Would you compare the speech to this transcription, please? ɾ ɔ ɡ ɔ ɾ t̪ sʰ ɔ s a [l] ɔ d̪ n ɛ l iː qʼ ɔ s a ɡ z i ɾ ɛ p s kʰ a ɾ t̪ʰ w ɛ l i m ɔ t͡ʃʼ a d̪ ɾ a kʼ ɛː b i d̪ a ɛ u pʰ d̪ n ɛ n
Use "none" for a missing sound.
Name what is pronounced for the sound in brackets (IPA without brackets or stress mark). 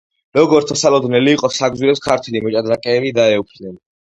l